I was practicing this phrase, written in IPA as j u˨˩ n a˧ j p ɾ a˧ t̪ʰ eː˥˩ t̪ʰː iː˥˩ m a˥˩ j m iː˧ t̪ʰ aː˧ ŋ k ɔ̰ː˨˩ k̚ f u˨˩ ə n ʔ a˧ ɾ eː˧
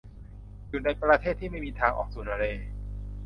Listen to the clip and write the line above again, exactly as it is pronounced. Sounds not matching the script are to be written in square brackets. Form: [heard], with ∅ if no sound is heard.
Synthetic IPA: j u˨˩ n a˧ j p ɾ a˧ t̪ʰ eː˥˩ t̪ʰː iː˥˩ m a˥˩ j m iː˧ t̪ʰ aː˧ ŋ [ʔ] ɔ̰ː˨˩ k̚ [s] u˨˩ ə n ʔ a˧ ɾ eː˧